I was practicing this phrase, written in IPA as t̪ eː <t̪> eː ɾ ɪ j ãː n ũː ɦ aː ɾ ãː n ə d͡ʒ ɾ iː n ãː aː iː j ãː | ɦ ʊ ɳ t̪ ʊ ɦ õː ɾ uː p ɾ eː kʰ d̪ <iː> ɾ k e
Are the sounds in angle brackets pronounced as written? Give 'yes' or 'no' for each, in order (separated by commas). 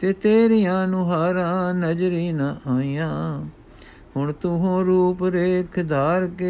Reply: yes, no